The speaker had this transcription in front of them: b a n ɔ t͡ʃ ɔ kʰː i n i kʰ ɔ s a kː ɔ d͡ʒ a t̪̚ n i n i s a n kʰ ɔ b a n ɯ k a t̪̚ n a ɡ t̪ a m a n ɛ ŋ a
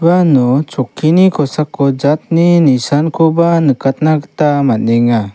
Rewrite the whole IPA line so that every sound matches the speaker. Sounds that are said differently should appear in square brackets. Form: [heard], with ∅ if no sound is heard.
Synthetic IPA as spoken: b a n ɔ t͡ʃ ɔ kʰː i n i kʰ ɔ s a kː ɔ d͡ʒ a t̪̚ n i n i s a n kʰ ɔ b a n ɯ k a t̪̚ n a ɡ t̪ a m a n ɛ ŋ a